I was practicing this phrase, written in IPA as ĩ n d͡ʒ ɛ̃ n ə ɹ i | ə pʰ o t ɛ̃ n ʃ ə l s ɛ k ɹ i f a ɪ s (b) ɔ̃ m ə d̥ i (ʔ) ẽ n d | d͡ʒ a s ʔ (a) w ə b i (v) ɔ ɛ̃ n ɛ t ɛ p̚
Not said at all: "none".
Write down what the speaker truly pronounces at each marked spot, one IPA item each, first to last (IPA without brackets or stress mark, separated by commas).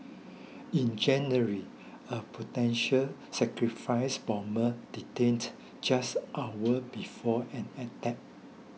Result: b, t, a, f